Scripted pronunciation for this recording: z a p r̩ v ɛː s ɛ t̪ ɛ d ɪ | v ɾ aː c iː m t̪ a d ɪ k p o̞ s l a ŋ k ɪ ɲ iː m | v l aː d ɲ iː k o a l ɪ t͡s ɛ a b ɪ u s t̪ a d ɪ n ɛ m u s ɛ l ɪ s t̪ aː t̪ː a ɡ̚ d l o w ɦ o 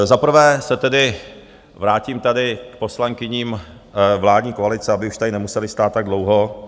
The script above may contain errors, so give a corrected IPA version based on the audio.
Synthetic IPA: z a p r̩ v ɛː s ɛ t̪ ɛ d ɪ | v ɾ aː c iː m t̪ a d ɪ k p o̞ s l a ŋ k ɪ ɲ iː m | v l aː d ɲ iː k o a l ɪ t͡s ɛ a b ɪ u ʃ t̪ a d ɪ n ɛ m u s ɛ l ɪ s t̪ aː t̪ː a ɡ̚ d l o w ɦ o